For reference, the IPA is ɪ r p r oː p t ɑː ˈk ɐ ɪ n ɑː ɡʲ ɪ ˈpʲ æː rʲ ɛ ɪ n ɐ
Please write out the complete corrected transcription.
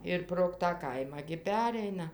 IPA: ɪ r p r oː k t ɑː ˈk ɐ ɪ m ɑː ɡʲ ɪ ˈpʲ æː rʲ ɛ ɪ n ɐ